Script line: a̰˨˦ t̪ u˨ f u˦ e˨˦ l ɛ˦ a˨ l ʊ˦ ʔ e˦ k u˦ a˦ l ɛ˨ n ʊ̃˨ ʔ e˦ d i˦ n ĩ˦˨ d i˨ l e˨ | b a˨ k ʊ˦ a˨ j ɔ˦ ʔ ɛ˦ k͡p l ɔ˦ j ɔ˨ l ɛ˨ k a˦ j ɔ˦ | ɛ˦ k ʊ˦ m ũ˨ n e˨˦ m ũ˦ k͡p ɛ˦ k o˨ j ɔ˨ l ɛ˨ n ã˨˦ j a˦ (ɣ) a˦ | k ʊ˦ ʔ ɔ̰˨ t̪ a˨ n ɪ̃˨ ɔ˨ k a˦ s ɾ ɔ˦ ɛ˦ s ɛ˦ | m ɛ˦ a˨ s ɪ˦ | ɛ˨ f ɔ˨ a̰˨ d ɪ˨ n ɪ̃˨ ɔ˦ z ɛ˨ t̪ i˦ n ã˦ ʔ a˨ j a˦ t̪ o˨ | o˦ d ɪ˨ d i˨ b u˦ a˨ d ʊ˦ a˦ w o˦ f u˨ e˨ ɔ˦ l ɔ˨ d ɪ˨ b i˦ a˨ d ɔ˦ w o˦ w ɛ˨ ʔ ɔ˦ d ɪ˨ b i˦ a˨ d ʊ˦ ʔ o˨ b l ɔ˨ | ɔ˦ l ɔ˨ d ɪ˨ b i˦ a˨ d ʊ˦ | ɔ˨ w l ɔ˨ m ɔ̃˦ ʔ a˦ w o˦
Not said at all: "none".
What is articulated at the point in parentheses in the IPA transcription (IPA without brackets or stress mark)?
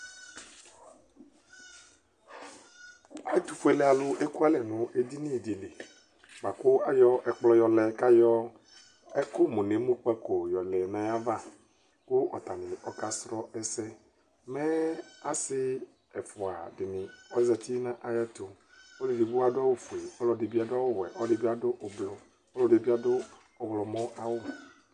v